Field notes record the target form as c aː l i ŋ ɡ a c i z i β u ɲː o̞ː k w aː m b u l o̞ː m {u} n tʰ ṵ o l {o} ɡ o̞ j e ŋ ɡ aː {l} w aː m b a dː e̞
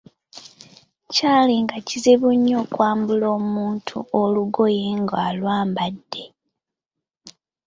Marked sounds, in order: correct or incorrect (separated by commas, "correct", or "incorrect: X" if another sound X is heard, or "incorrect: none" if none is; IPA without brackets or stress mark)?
incorrect: uː, incorrect: u, correct